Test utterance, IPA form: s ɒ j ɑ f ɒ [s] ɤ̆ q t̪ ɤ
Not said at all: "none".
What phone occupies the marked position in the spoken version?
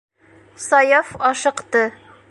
ʃ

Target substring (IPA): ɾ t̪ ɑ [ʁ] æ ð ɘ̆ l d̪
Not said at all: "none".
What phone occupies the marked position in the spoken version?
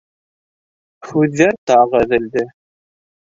ʁ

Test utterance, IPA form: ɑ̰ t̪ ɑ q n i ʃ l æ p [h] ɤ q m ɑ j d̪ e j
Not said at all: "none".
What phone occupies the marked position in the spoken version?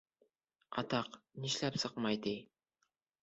s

